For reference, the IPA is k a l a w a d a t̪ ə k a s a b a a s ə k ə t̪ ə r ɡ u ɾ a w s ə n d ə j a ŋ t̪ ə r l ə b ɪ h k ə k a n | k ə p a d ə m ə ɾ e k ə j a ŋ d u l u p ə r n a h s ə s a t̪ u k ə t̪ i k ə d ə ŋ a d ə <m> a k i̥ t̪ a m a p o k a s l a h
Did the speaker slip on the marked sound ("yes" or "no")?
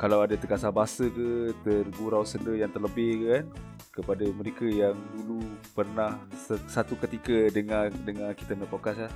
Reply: yes